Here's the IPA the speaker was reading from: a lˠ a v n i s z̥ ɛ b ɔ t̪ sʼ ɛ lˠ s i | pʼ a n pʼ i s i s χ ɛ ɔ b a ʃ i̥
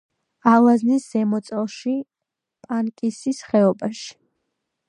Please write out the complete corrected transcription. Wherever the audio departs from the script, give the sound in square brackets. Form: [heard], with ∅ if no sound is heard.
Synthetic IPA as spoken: a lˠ a [z] n i s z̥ ɛ [m] ɔ t̪ sʼ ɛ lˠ [ʃ] i | pʼ a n [kʼ] i s i s χ ɛ ɔ b a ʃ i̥